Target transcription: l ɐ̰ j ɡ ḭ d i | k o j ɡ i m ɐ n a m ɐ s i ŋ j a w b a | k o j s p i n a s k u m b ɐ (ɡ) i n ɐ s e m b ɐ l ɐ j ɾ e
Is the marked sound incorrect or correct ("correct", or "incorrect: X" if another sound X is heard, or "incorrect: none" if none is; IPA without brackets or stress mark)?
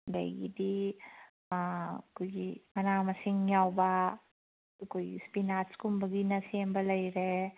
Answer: correct